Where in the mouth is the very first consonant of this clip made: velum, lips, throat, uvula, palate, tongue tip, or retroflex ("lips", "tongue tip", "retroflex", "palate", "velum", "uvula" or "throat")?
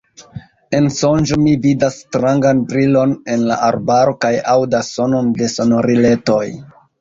tongue tip